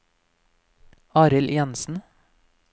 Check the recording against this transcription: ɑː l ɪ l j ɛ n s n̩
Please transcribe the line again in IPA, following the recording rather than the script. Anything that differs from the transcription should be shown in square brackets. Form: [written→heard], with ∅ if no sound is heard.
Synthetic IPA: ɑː [l→ɾ] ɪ l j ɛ n s n̩